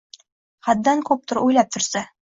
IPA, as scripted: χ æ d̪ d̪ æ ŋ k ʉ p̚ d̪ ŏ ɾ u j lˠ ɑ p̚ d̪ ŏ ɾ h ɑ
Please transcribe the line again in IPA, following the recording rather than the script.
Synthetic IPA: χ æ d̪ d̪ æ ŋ k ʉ p̚ t̪ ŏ ɾ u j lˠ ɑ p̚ t̪ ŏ ɾ s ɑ

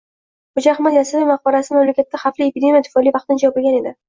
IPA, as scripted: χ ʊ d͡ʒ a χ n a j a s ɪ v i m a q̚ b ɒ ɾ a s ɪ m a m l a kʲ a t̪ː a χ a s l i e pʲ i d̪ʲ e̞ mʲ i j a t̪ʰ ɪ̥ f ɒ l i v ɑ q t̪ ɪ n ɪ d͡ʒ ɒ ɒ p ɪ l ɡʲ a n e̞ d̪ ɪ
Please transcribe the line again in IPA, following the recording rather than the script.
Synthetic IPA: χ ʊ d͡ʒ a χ m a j a s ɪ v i m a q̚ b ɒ ɾ a s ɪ m a m l a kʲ a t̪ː a χ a f l i e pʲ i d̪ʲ e̞ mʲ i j a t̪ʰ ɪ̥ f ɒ l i v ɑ q t̪ ɪ n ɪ d͡ʒ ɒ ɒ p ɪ l ɡʲ a n e̞ d̪ ɪ

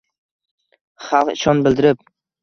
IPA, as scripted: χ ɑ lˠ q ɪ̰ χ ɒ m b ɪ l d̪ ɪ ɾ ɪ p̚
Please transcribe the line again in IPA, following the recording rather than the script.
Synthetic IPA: χ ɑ lˠ q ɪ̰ ʃ ɒ n b ɪ l d̪ ɪ ɾ ɪ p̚

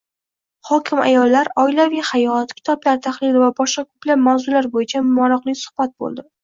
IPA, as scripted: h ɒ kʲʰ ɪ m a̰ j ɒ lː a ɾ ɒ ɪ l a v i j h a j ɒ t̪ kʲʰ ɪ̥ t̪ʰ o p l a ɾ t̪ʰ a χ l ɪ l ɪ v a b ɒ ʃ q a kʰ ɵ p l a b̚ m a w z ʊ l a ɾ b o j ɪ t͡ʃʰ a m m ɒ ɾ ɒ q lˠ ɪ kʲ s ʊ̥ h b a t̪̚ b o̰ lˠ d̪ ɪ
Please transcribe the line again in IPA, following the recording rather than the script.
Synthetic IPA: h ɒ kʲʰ ɪ m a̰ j ɒ lː a ɾ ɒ ɪ l a v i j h a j ɒ t̪ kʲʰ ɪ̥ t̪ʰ ɒ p l a ɾ t̪ʰ a χ l ɪ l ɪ v a b ɒ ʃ q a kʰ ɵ p l a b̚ m a w z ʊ l a ɾ b o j ɪ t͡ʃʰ a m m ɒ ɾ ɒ q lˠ ɪ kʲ s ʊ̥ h b a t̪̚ b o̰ lˠ d̪ ɪ

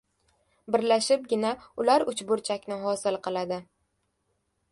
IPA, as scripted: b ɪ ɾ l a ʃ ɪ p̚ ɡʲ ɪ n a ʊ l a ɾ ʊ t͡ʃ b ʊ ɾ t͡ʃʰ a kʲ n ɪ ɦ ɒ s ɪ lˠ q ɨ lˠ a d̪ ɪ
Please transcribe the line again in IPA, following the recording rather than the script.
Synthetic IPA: b ɪ ɾ l a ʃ ɪ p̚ ɡʲ ɪ n a ʊ l a ɾ ʊ t͡ʃ b ʊ ɾ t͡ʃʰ a kʲ n ɪ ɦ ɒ s ɪ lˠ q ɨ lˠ a d̪ ɪ

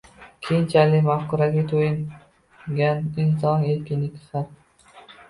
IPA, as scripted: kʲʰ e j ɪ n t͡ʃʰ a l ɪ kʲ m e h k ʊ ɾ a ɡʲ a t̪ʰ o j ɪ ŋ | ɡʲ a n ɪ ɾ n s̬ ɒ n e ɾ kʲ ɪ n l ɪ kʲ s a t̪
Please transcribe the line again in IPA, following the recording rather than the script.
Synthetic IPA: kʲʰ e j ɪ n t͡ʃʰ a l ɪ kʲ m a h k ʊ ɾ a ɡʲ a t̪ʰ o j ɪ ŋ | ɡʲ a n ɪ n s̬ ɒ n e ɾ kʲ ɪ n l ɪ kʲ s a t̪

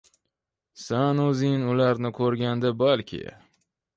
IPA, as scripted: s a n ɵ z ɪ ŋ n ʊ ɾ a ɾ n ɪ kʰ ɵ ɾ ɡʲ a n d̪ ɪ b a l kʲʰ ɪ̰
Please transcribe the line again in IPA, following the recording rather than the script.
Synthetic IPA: s a n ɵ z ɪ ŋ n ʊ l a ɾ n ɪ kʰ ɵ ɾ ɡʲ a n d̪ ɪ b a l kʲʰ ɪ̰

